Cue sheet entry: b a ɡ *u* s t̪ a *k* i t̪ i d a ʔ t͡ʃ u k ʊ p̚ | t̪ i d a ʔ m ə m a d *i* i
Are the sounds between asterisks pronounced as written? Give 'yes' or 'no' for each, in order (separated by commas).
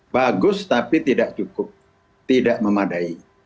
no, no, no